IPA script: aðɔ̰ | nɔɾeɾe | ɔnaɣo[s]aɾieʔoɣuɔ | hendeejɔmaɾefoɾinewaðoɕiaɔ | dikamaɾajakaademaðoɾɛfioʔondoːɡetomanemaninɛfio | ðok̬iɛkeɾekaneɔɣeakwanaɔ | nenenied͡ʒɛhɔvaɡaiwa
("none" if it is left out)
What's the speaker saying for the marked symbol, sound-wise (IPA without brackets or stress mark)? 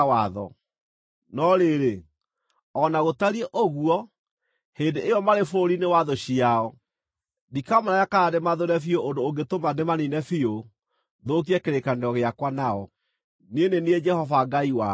t